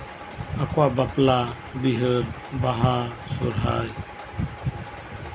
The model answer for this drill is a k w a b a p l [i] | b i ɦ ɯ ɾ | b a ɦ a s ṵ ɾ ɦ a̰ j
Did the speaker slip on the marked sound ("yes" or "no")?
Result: yes